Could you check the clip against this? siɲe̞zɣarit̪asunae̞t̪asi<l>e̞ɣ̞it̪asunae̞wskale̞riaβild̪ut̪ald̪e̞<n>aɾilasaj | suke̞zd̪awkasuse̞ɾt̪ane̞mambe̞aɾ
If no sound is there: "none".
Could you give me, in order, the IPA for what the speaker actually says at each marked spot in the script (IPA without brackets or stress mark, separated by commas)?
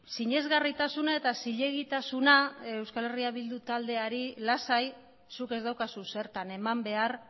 ʎ, none